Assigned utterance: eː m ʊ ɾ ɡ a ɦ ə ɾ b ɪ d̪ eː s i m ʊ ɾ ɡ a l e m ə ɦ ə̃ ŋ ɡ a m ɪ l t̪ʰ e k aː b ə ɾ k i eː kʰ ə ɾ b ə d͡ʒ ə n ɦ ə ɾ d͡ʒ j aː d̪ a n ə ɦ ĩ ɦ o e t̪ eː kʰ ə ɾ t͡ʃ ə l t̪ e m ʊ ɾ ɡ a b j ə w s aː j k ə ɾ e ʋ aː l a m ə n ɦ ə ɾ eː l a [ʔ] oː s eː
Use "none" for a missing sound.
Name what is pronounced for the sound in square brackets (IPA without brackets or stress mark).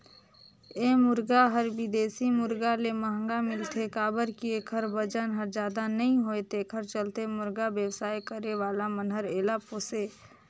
p